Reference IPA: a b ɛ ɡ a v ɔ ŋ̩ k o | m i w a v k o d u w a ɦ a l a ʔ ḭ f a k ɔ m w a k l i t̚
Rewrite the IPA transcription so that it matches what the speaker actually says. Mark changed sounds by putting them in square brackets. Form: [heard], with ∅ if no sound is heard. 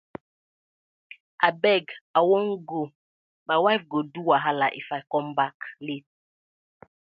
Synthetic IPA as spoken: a b ɛ ɡ a [w] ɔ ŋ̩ [ɡ] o | m [a] w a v [ɡ] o d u w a ɦ a l a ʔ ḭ f a k ɔ m [b] a k l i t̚